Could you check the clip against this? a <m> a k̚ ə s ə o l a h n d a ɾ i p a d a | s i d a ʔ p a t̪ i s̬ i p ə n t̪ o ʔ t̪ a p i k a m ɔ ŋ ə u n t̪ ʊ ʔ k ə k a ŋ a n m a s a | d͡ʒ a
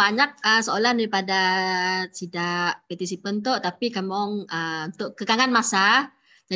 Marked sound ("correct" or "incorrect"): incorrect